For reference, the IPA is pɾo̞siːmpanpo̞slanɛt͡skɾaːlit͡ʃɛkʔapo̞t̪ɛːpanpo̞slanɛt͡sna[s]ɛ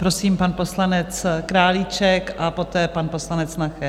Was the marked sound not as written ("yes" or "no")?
yes